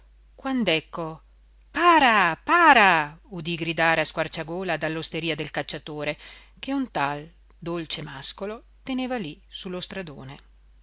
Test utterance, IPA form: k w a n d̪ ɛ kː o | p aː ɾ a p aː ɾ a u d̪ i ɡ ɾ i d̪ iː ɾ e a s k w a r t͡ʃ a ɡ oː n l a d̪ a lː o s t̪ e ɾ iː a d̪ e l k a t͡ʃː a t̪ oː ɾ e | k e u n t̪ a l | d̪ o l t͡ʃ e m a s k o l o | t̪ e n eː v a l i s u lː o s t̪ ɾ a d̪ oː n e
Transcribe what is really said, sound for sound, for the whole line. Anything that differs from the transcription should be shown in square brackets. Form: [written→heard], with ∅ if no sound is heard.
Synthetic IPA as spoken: k w a n d̪ ɛ kː o | p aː ɾ a p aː ɾ a u d̪ i ɡ ɾ i d̪ [iː→aː] ɾ e a s k w a r t͡ʃ a ɡ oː [n→∅] l a d̪ a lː o s t̪ e ɾ iː a d̪ e l k a t͡ʃː a t̪ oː ɾ e | k e u n t̪ a l | d̪ o l t͡ʃ e m a s k o l o | t̪ e n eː v a l i s u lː o s t̪ ɾ a d̪ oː n e